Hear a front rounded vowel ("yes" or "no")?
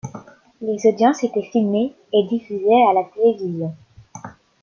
yes